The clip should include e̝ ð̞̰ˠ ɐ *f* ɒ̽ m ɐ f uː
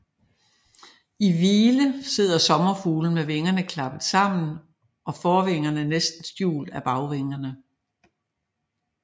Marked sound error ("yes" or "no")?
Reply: yes